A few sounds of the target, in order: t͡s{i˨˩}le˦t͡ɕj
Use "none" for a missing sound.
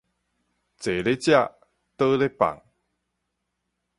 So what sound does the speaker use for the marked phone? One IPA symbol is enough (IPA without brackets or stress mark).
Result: e˨˩